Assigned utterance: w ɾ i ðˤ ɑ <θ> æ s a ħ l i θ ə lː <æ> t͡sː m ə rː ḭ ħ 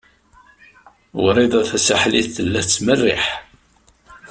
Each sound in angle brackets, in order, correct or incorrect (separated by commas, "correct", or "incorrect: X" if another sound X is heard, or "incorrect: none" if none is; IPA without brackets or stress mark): correct, correct